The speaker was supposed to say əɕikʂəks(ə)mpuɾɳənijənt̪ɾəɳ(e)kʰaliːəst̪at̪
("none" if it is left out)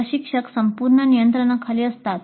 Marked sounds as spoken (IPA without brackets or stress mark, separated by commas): ə, a